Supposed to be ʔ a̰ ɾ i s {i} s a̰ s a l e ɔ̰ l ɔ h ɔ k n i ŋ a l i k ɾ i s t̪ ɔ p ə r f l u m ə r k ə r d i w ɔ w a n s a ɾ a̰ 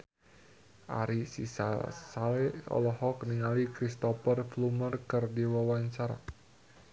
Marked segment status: correct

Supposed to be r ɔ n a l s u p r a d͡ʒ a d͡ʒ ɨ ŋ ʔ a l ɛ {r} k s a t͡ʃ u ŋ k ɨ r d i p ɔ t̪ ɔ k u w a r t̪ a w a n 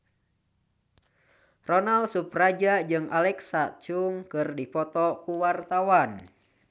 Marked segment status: incorrect: none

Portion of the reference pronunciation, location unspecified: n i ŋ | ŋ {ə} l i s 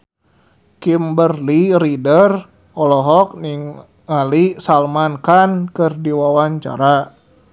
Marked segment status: incorrect: a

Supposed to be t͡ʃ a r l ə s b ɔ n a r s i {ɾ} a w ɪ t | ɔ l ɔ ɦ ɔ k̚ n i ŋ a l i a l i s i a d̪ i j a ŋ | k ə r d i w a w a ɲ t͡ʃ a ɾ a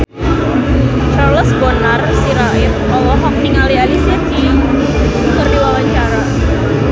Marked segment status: correct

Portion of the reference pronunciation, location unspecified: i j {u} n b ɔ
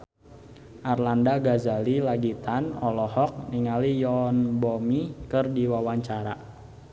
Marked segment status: incorrect: ɔ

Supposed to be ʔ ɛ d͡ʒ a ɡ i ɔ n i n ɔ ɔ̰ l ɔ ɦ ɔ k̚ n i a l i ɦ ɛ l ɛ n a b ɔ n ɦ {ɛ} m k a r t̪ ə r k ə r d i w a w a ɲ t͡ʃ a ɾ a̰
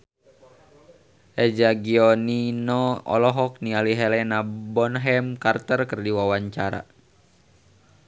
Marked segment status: correct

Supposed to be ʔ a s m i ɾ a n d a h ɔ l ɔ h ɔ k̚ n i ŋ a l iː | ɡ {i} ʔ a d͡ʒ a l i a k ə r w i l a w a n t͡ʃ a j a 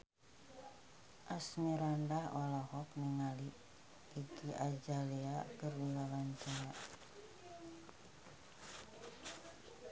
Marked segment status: correct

